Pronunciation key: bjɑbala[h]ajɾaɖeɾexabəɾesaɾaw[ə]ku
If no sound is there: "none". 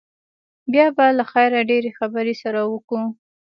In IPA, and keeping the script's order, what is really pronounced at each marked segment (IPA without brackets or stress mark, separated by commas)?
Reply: x, ə